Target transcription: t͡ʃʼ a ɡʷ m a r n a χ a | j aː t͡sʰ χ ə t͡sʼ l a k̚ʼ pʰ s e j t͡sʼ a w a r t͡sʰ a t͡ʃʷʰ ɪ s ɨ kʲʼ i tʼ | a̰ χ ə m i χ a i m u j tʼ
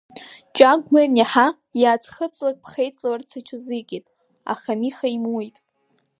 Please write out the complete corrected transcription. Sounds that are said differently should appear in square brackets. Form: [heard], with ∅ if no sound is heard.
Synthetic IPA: t͡ʃʼ a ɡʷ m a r n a [ħ] a | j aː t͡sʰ χ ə t͡sʼ l a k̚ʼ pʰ [χ] e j t͡sʼ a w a r t͡sʰ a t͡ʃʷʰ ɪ [z] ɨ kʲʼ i tʼ | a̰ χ [a] m i χ a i m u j tʼ